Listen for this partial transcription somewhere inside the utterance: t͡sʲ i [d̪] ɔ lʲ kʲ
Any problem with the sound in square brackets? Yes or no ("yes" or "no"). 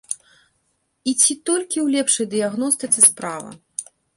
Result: yes